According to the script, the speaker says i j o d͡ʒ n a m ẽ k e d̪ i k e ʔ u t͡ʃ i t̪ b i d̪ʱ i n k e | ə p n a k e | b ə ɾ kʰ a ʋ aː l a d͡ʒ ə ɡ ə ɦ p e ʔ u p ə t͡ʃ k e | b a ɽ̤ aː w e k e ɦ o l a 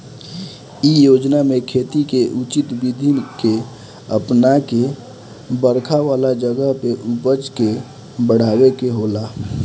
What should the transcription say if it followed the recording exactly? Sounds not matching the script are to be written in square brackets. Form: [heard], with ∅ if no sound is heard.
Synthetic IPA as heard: i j o d͡ʒ n a m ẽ [kʰ] e [t̪] i k e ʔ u t͡ʃ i t̪ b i d̪ʱ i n k e | ə p n a k e | b ə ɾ kʰ a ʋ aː l a d͡ʒ ə ɡ ə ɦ p e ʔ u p ə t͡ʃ k e | b [ə] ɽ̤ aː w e k e ɦ o l a

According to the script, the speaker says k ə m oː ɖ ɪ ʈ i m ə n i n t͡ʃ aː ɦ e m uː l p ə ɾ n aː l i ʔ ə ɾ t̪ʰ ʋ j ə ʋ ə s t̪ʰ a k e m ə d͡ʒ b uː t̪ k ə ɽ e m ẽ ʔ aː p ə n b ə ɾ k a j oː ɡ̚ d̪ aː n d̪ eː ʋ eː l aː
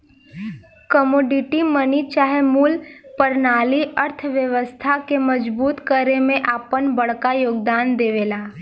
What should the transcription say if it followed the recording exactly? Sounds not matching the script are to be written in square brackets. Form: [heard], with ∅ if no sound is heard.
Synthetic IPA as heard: k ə m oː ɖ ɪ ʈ i m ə n i [∅] t͡ʃ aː ɦ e m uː l p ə ɾ n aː l i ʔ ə ɾ t̪ʰ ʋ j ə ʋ ə s t̪ʰ a k e m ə d͡ʒ b uː t̪ k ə [ɾ] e m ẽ ʔ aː p ə n b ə [ɽ] k a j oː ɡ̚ d̪ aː n d̪ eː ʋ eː l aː

